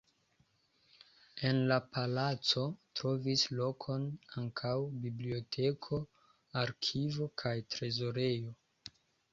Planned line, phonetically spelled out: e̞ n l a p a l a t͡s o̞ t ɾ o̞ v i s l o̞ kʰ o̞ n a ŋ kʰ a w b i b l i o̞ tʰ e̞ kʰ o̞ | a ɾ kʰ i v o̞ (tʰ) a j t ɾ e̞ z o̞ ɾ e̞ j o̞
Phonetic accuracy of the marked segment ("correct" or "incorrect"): incorrect